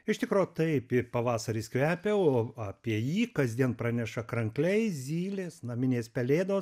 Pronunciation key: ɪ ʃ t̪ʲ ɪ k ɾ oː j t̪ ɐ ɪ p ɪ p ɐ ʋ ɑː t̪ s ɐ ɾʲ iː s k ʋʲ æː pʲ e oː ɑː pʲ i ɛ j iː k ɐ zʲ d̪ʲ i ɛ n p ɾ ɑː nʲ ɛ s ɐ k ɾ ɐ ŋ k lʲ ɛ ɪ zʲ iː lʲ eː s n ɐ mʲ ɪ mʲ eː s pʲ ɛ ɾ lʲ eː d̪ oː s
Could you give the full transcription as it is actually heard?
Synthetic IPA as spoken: ɪ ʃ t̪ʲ ɪ k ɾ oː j t̪ ɐ ɪ p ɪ p ɐ ʋ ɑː s ɐ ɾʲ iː s k ʋʲ æː pʲ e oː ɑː pʲ i ɛ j iː k ɐ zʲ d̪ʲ i ɛ n p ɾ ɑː nʲ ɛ ʃ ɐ k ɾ ɐ ŋ k lʲ ɛ ɪ zʲ iː lʲ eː s n ɐ mʲ ɪ nʲ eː s pʲ ɛ lʲ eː d̪ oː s